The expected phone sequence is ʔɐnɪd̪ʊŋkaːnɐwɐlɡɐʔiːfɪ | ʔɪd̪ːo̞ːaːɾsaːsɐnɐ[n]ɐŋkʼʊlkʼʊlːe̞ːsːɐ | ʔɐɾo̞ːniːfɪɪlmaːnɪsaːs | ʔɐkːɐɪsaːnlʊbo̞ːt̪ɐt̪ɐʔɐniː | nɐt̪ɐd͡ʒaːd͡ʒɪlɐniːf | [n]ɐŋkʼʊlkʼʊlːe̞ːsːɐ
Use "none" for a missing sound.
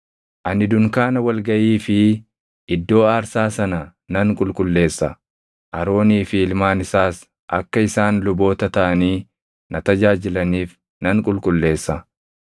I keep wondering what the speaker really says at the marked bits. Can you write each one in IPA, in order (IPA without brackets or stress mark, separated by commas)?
n, n